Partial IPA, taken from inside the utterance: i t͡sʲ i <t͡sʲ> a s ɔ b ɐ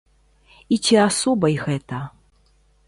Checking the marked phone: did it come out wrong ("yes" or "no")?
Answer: yes